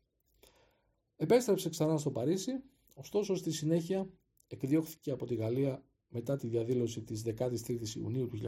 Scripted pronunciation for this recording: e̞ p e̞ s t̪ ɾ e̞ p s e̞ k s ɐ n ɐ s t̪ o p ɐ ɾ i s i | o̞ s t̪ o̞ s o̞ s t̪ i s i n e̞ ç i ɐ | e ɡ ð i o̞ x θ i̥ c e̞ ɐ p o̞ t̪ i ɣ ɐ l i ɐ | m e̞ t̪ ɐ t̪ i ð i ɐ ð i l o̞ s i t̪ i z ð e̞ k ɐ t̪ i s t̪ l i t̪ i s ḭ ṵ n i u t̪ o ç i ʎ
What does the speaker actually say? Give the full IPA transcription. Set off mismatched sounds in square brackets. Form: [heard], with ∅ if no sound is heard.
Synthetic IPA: e̞ p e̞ s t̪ ɾ e̞ p s e̞ k s ɐ n ɐ s t̪ o p ɐ ɾ i s i | o̞ s t̪ o̞ s o̞ s t̪ i s i n e̞ ç i ɐ | e [k] ð i o̞ x θ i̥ c e̞ ɐ p o̞ t̪ i ɣ ɐ l i ɐ | m e̞ t̪ ɐ t̪ i ð i ɐ ð i l o̞ s i t̪ i z ð e̞ k ɐ t̪ i s t̪ [ɾ] i t̪ i s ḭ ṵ n i u t̪ [u] ç i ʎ